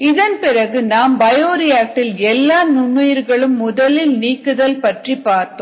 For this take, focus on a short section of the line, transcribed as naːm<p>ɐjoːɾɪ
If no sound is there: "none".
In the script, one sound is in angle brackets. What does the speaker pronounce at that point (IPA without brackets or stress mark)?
b